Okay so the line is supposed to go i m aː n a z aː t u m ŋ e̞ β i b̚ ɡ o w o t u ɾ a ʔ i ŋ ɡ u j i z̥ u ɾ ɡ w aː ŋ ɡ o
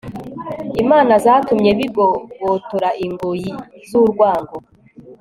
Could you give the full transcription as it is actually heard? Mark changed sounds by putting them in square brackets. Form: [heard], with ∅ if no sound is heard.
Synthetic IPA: i m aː n a z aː t u m [ɲ] e̞ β i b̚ ɡ o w o t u ɾ a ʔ i ŋ ɡ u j i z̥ u ɾ ɡ w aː ŋ ɡ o

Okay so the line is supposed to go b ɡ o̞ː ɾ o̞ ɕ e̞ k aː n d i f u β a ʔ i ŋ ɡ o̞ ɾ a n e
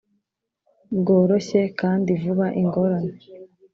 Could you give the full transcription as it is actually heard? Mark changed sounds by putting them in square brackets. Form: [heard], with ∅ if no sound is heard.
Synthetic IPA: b ɡ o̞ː ɾ o̞ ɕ e̞ k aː n d i [v] u β a ʔ i ŋ ɡ o̞ ɾ a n e

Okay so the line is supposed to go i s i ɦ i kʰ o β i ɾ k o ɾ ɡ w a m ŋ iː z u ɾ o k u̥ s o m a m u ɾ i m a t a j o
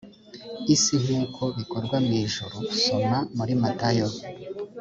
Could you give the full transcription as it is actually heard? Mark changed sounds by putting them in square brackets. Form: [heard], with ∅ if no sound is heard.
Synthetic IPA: i s i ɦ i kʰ o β i [∅] k o ɾ ɡ w a m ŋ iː [ʒ] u ɾ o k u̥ s o m a m u ɾ i m a t a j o

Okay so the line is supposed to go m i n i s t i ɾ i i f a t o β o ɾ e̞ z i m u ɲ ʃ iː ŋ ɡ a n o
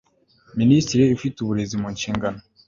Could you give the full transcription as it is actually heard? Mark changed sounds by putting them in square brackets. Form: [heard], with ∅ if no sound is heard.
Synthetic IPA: m i n i s t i ɾ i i f [i] t [u] β [u] ɾ e̞ z i m u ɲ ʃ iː ŋ ɡ a n o

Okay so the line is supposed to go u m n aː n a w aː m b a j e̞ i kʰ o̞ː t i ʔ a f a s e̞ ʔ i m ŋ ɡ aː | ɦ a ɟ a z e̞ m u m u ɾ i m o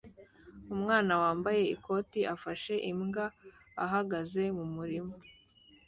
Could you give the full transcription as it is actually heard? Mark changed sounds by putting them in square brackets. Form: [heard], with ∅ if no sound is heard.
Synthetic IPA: u m [ŋ] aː n a w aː m b a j e̞ i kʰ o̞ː t i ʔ a f a [ʃ] e̞ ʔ i m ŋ ɡ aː | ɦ a [ɡ] a z e̞ m u m u ɾ i m o

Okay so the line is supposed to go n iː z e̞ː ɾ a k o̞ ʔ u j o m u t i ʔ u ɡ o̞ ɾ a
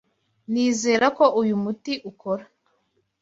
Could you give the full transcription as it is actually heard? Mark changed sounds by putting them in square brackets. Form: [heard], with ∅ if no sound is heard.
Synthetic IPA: n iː z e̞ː ɾ a k o̞ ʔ u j [u] m u t i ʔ u [k] o̞ ɾ a

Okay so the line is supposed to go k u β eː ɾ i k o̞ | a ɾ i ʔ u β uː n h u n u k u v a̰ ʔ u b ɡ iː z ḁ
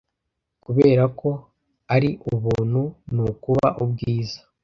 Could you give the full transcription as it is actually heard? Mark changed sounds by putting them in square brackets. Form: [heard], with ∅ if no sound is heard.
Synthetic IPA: k u β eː ɾ [a] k o̞ | a ɾ i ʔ u β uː n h u n u k u [β] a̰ ʔ u b ɡ iː z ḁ

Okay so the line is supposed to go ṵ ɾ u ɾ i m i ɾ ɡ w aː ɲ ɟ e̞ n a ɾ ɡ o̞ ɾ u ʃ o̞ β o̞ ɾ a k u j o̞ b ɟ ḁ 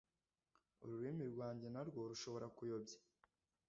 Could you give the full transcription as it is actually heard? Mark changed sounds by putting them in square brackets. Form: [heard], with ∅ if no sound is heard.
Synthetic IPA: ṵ ɾ u ɾ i m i ɾ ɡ w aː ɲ ɟ e̞ n a ɾ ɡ o̞ ɾ u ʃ o̞ β o̞ ɾ a k u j o̞ b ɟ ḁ

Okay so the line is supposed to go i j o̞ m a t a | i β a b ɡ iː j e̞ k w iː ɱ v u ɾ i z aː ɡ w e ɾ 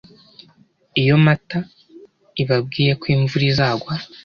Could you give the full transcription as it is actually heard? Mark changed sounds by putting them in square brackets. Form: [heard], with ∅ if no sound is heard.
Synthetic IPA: i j o̞ m a t a | i β a b ɡ iː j e̞ k w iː ɱ v u ɾ i z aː ɡ w [a] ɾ

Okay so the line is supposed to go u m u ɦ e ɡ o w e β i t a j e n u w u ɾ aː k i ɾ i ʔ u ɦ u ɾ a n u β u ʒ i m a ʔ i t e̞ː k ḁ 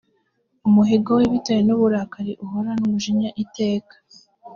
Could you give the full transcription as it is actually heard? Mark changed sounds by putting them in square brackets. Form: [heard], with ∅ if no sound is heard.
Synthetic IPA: u m u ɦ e ɡ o w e β i t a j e n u [β] u ɾ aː k [a] ɾ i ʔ u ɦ [o] ɾ a n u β u ʒ i [ɲ] a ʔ i t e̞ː k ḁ

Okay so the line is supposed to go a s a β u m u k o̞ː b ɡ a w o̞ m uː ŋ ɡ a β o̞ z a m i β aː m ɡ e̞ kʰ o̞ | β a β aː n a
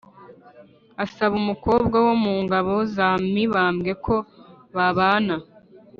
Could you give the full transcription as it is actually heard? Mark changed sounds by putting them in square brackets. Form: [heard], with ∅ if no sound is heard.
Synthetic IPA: a s a β u m u k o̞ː b ɡ a w o̞ m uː ŋ ɡ a β o̞ z a m i β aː m ɡ e̞ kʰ o̞ | β a β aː n a

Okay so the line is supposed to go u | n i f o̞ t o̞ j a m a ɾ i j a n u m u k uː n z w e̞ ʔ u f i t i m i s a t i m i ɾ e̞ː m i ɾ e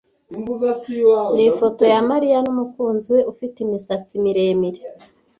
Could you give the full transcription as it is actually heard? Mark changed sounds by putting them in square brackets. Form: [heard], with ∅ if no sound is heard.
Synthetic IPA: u | n i f o̞ t o̞ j a m a ɾ i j a n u m u k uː n z w e̞ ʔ u f i t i m i s a [t͡s] i m i ɾ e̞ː m i ɾ e

